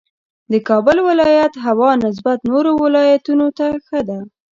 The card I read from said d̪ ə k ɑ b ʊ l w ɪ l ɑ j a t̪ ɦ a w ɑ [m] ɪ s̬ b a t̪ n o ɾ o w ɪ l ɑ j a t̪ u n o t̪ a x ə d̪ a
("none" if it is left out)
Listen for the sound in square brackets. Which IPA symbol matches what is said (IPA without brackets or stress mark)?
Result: n